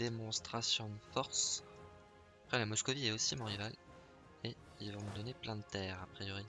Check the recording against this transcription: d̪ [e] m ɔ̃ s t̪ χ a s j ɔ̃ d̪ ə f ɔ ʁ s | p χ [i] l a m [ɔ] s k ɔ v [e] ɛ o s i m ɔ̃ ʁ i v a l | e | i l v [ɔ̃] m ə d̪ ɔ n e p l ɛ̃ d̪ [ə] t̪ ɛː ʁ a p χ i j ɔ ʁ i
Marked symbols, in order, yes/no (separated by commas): yes, no, yes, no, yes, yes